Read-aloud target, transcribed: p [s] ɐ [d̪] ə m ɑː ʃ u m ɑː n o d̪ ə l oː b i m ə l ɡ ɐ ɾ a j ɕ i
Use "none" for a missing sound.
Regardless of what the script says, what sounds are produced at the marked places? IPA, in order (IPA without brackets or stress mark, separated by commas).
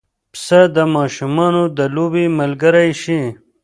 s, d̪